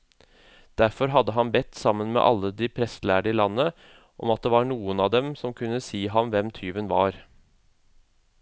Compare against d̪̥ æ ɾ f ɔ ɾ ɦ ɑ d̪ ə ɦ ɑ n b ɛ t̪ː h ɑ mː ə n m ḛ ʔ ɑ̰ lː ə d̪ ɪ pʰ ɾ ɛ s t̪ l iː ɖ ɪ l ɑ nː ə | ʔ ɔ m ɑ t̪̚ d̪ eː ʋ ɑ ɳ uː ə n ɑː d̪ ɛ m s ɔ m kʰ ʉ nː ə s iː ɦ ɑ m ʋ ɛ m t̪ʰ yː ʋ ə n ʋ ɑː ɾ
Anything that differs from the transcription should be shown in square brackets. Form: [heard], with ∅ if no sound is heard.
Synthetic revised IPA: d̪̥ æ ɾ f ɔ ɾ ɦ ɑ d̪ ə ɦ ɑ n b ɛ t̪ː [s] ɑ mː ə n m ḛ ʔ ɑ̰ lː ə d̪ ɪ pʰ ɾ ɛ s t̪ l [æː] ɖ ɪ l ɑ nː ə | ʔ ɔ m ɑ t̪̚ d̪ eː ʋ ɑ ɳ uː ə n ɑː d̪ ɛ m s ɔ m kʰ ʉ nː ə s iː ɦ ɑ m ʋ ɛ m t̪ʰ yː ʋ ə n ʋ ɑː ɾ